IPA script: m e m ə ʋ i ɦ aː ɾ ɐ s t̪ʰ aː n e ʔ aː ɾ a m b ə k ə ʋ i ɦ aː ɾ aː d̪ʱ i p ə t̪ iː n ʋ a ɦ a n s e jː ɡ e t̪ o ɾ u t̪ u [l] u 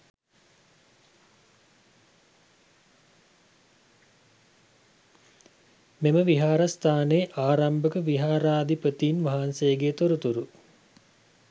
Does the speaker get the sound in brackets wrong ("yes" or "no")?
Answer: yes